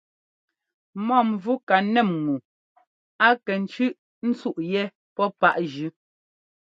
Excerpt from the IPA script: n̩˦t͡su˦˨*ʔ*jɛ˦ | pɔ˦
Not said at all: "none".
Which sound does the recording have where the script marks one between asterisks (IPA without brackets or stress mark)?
ʔ